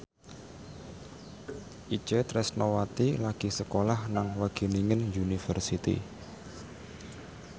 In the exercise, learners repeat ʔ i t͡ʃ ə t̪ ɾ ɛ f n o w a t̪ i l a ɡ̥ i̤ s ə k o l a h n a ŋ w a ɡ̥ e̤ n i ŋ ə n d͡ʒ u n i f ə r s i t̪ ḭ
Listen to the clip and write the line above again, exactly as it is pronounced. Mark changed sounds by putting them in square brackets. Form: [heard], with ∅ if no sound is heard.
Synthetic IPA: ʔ i t͡ʃ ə t̪ ɾ ɛ [s] n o w a t̪ i l a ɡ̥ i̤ s ə k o l a h n a ŋ w a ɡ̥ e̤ n i ŋ ə n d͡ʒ u n i f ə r s i t̪ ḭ